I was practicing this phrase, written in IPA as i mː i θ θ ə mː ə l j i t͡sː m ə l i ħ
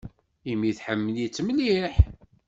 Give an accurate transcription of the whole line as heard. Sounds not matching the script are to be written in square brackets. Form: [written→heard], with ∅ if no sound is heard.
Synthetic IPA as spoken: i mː i θ [θ→ħ] ə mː ə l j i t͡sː m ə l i ħ